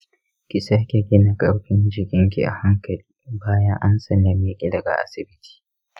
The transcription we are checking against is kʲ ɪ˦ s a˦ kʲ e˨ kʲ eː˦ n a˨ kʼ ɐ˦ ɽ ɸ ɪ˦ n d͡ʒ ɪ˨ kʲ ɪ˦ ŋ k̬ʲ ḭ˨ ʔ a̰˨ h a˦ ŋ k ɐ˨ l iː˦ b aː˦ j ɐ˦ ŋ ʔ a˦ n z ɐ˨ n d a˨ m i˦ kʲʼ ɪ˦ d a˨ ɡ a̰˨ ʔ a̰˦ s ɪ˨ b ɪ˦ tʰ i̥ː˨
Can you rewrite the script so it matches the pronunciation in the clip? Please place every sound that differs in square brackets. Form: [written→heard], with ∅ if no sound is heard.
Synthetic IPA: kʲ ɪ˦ s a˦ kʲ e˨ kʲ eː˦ n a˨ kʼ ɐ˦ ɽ ɸ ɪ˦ n d͡ʒ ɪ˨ kʲ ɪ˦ ŋ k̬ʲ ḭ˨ ʔ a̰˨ h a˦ ŋ k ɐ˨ l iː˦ b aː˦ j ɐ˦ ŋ ʔ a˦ n [z→s] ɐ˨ n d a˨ m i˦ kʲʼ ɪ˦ d [a˨→ɐ˨] ɡ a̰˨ ʔ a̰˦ s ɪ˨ b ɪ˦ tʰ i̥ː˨